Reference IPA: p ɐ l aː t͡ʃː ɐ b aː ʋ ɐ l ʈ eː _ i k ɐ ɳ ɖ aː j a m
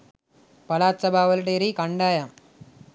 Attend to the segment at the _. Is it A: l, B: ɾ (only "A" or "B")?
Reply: B